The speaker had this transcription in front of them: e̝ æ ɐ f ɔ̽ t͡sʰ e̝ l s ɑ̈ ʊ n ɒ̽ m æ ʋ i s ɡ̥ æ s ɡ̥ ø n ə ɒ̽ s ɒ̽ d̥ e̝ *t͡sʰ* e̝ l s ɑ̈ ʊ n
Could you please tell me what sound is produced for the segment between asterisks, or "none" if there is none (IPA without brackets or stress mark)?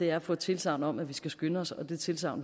t͡sʰ